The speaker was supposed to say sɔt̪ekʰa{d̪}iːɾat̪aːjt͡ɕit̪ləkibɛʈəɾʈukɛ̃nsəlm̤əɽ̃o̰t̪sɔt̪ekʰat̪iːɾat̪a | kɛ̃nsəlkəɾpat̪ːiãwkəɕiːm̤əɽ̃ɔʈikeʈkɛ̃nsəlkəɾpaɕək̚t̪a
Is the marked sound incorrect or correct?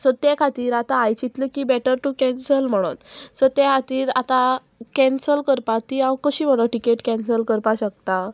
incorrect: t̪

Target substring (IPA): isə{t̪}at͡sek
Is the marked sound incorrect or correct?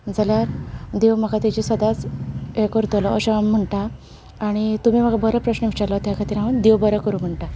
incorrect: d̪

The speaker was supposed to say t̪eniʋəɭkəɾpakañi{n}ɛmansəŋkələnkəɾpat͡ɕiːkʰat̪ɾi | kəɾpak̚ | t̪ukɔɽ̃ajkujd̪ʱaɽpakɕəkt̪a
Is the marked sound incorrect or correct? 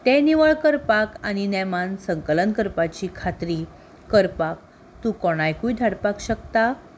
correct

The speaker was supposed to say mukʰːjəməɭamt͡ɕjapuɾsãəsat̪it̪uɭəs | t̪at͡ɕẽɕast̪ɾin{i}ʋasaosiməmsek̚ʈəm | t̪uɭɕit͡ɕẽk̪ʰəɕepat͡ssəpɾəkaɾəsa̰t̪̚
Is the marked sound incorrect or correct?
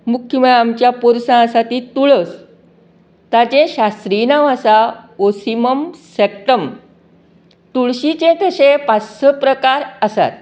incorrect: a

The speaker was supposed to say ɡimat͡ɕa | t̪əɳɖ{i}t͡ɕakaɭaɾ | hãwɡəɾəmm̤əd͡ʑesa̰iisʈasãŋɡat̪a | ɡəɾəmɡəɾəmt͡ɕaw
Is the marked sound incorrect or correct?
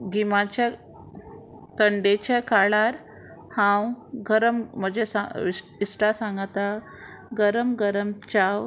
incorrect: e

